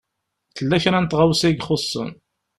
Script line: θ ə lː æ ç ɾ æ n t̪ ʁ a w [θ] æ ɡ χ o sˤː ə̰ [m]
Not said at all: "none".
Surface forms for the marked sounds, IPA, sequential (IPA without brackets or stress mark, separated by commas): s, n